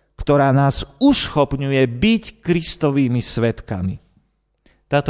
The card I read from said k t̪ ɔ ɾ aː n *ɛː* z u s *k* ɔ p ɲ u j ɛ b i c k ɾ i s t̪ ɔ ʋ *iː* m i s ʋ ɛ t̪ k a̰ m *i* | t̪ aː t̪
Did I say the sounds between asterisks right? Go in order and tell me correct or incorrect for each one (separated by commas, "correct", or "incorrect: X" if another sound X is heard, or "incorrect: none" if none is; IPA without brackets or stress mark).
incorrect: aː, incorrect: x, correct, correct